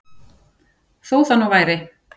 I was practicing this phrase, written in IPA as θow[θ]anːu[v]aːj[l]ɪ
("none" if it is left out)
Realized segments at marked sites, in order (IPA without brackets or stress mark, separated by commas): θ, v, ɾ